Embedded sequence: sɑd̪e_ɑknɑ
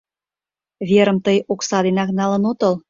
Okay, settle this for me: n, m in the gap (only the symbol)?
n